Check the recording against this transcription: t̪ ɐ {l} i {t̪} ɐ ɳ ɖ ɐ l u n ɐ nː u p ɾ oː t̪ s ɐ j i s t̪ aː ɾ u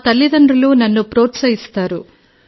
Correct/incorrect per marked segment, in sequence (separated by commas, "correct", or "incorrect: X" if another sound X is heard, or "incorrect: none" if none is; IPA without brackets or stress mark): incorrect: lː, incorrect: d̪